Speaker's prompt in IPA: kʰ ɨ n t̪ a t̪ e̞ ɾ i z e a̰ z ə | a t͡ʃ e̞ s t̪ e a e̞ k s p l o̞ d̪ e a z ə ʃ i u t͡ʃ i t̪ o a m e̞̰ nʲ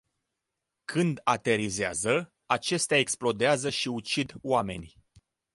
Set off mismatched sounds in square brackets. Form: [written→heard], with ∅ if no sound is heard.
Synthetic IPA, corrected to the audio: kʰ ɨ n [t̪→d̪] a t̪ e̞ ɾ i z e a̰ z ə | a t͡ʃ e̞ s t̪ e a e̞ k s p l o̞ d̪ e a z ə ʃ i u t͡ʃ i [t̪→d̪] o a m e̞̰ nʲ